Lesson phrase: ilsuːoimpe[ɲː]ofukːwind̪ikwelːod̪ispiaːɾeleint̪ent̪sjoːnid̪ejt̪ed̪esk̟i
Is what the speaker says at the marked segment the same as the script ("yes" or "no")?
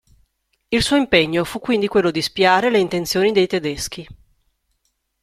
yes